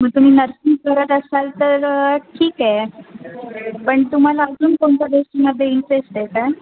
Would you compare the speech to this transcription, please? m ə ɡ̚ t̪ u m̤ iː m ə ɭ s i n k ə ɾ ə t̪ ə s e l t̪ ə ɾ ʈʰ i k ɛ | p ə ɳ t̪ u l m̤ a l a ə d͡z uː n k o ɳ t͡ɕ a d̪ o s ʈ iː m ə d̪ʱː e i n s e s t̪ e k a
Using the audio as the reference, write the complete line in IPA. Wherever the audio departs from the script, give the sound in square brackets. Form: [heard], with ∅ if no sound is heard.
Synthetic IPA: m ə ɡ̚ t̪ u m̤ iː [n] ə [ɾ] s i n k ə ɾ ə t̪ ə s [a] l t̪ ə ɾ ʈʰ [iː] k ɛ | p ə ɳ t̪ u [∅] m̤ a l a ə d͡z uː n k o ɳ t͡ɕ a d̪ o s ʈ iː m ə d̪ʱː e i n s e s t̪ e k a